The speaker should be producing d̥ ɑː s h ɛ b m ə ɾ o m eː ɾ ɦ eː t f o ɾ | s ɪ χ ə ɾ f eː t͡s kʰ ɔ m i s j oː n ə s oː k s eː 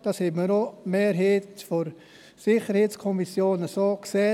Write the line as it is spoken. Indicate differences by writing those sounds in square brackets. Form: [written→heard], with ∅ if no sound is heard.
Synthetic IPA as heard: d̥ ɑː s h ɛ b m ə ɾ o m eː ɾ ɦ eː t f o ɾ | s ɪ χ ə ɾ [f→h] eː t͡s kʰ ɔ m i s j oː n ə s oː k s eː